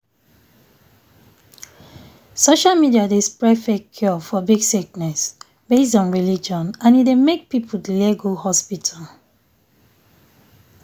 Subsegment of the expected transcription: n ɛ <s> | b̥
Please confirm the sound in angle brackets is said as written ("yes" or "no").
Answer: yes